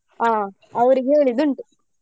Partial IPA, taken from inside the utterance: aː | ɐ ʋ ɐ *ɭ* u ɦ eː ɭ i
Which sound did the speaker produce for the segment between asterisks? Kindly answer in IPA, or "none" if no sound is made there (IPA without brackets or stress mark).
ɾ